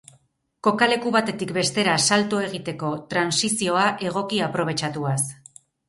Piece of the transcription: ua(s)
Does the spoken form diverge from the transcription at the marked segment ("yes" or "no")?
no